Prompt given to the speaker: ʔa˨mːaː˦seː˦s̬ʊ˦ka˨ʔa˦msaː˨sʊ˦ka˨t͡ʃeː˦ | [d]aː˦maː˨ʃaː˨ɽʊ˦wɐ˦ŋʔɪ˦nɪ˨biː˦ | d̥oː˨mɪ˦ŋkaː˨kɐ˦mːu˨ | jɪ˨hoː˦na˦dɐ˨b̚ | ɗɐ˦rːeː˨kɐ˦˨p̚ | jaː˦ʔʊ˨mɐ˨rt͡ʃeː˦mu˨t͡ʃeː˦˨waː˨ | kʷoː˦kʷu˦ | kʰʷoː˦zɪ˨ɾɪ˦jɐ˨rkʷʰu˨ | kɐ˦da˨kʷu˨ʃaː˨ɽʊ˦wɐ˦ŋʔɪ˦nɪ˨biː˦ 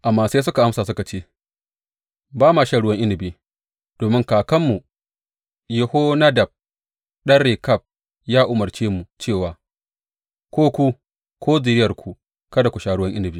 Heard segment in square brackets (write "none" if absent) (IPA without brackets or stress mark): b